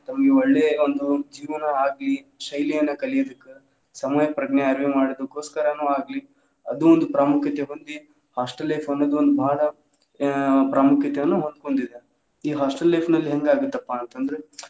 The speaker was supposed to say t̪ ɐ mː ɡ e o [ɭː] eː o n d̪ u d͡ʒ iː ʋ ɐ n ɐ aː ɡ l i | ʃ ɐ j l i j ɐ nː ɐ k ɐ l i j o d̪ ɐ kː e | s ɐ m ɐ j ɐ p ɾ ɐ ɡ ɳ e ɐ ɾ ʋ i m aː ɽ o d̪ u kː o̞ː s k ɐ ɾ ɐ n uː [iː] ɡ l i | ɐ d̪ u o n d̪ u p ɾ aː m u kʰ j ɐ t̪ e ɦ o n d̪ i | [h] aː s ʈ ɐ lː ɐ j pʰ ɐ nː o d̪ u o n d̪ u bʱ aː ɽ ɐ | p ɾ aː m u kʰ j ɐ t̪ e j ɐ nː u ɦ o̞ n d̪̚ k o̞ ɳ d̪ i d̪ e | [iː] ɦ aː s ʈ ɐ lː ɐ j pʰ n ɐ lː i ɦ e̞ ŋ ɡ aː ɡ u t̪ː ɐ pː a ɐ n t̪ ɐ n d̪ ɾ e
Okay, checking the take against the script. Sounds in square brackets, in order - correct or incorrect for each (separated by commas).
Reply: correct, incorrect, correct, correct